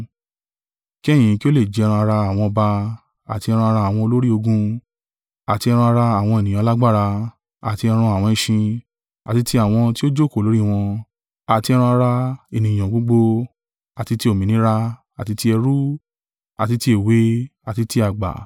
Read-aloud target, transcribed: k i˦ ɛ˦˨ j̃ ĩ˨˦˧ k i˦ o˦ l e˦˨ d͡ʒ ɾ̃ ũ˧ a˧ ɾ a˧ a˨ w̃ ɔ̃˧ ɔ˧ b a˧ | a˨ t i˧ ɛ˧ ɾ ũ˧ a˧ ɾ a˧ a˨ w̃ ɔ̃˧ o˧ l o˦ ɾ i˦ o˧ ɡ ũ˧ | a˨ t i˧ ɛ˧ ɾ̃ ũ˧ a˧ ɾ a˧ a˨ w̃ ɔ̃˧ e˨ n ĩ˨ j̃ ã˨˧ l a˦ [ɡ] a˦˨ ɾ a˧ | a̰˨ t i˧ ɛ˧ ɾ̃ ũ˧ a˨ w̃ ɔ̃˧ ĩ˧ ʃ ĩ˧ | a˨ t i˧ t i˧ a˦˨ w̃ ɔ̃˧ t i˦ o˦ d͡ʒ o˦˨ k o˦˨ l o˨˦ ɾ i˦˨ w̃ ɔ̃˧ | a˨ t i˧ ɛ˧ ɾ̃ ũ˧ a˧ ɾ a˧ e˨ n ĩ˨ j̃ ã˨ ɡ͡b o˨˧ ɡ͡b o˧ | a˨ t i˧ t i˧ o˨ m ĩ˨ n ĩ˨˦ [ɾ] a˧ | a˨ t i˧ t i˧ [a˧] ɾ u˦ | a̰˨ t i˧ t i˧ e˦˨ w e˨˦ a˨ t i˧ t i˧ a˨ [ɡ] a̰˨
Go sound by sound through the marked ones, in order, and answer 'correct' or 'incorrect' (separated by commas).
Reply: incorrect, correct, incorrect, incorrect